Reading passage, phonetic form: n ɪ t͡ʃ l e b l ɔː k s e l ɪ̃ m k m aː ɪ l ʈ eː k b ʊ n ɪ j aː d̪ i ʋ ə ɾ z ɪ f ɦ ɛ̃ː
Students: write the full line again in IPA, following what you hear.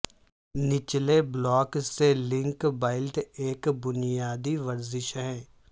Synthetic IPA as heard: n ɪ t͡ʃ l e b l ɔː k s e l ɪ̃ ŋ k b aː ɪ l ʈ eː k b ʊ n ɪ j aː d̪ i ʋ ə ɾ z ɪ ʃ ɦ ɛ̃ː